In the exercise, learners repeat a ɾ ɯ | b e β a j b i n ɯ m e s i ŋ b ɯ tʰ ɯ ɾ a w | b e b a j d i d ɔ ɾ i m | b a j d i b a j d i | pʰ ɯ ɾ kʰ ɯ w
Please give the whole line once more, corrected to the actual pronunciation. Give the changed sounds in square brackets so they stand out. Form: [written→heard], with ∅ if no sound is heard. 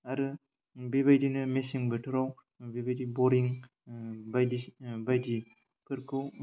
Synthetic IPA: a ɾ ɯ | b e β a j [b→d] i n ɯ m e s i ŋ b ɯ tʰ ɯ ɾ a w | b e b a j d i [d→b] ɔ ɾ i [m→ŋ] | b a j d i b a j d i | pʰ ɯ ɾ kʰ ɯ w

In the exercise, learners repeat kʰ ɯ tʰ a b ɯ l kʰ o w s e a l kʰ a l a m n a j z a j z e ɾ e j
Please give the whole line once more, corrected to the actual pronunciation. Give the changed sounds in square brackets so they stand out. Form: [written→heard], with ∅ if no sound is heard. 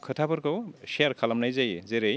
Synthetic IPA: kʰ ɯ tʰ a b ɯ [l→ɾ] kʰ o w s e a [l→ɾ] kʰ a l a m n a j z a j z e ɾ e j

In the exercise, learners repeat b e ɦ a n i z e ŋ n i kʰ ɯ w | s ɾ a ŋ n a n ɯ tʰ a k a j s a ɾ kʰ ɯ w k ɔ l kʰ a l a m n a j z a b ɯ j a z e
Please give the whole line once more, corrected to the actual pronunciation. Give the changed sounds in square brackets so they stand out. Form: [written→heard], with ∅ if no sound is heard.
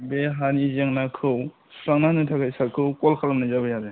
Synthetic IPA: b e ɦ a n i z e ŋ n [i→a] kʰ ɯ w | s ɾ a ŋ n a n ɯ tʰ a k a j s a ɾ kʰ ɯ w k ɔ l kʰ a l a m n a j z a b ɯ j a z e

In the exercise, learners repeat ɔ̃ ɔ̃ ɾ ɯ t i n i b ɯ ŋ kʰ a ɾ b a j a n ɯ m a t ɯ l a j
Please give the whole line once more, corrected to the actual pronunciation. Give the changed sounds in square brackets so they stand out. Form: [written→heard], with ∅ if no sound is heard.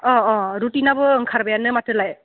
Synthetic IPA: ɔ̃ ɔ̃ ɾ [ɯ→u] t i n [i→a] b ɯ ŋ kʰ a ɾ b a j a n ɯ m a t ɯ l a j

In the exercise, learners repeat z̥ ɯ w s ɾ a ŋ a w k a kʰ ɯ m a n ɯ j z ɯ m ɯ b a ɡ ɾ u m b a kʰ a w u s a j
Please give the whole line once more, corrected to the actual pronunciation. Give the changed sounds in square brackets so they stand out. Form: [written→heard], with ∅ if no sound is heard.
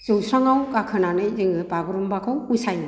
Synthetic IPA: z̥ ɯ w s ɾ a ŋ a w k a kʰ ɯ [m→n] a n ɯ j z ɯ [m→ŋ] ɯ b a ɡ ɾ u m b a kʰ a w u s a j

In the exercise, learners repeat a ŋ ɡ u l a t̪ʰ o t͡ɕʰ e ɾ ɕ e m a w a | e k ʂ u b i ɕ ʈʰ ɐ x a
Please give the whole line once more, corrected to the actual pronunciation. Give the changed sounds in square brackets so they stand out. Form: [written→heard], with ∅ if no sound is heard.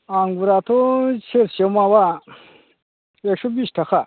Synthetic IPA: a ŋ ɡ u [l→ɾ] a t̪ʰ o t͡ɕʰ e ɾ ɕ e m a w a | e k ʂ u b i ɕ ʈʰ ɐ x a

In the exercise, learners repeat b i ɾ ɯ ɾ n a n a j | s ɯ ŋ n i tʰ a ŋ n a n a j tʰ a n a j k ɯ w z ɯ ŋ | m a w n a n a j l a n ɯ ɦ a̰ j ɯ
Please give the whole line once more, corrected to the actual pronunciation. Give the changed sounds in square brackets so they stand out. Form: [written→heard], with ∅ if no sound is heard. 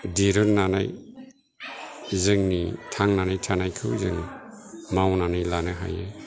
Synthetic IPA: [b→d] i ɾ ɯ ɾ n a n a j | [s→z] ɯ ŋ n i tʰ a ŋ n a n a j tʰ a n a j [k→kʰ] ɯ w z ɯ ŋ | m a w n a n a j l a n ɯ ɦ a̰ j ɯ

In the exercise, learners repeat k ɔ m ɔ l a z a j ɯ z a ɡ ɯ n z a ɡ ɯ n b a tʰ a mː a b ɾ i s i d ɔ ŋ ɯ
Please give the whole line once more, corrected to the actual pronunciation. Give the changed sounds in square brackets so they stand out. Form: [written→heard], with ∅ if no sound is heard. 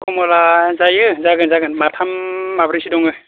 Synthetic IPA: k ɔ m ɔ l a z a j ɯ z a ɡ ɯ n z a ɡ ɯ n [b→m] a tʰ a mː a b ɾ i s i d ɔ ŋ ɯ

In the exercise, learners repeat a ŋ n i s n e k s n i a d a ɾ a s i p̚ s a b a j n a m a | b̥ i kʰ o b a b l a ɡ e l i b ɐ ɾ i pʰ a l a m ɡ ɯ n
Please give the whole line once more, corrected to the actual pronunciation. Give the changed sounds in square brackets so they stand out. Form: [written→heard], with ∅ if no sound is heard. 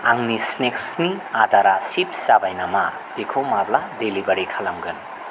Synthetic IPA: a ŋ n i s n e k s n i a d a ɾ a s i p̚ s a b a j n a m a | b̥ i kʰ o [b→m] a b l a [ɡ→d] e l i b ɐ ɾ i [pʰ→kʰ] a l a m ɡ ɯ n

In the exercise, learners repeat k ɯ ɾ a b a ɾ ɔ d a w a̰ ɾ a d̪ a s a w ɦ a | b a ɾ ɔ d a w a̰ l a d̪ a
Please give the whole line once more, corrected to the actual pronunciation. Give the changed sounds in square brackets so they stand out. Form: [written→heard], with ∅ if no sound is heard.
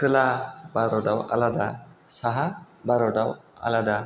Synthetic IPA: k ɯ [ɾ→l] a b a ɾ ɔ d a w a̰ [ɾ→l] a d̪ a s a [w→∅] ɦ a | b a ɾ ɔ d a w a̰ l a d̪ a

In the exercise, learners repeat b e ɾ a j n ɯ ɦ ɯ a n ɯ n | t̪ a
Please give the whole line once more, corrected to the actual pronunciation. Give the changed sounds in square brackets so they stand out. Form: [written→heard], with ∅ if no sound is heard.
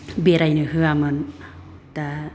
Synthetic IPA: b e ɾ a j n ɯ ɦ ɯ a [n→m] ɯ n | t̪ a

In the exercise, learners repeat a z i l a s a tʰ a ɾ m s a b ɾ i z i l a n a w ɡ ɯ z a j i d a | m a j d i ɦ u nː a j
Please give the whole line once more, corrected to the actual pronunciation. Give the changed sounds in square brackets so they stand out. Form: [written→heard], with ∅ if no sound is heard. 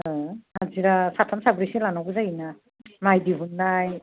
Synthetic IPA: a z i [l→ɾ] a s a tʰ a [ɾ→∅] m s a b ɾ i [z→s] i l a n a w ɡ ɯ z a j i [d→n] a | m a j d i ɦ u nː a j

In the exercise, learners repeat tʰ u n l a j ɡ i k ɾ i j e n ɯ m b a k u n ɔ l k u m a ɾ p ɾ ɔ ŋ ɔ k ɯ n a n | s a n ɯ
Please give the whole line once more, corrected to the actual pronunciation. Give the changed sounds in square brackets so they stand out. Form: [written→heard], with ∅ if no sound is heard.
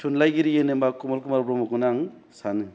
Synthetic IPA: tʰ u n l a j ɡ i [k→∅] ɾ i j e n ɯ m b a k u [n→m] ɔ l k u m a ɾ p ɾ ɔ [ŋ→m] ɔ k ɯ n a [n→ŋ] | s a n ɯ

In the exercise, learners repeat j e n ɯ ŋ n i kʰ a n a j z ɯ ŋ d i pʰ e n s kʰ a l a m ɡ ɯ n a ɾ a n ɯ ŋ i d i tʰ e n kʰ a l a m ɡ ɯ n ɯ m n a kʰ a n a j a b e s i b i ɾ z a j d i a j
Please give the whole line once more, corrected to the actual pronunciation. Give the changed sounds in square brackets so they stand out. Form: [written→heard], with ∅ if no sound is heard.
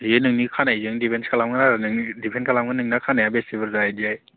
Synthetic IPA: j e n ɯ ŋ n i kʰ a n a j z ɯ ŋ d i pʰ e n s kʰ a l a m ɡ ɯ n a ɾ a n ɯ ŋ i d i [tʰ→pʰ] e n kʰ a l a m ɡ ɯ n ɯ [m→ŋ] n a kʰ a n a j a b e s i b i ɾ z a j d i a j

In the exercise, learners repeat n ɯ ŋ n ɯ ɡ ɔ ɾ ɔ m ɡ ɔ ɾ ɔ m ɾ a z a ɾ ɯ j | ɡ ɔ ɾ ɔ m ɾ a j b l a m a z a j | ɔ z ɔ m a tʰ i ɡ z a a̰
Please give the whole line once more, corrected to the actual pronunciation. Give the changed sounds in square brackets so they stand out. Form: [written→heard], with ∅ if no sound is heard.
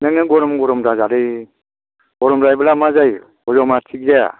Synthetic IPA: n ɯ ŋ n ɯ ɡ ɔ ɾ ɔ m ɡ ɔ ɾ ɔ m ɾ a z a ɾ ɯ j | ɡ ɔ ɾ ɔ m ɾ a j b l a m a z a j | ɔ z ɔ m a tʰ i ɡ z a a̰

